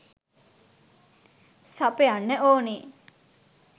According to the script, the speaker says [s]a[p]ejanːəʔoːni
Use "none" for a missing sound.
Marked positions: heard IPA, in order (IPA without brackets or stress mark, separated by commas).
s, p